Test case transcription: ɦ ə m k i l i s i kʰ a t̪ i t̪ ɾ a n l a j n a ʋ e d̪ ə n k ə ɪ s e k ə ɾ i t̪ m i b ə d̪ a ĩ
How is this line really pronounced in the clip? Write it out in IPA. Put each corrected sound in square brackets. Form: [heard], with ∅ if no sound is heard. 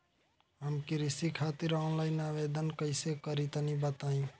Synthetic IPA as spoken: ɦ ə m k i [ɾ] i s i kʰ a t̪ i [∅] ɾ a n l a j n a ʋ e d̪ ə n k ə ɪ s e k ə ɾ i t̪ [n] i b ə [t̪] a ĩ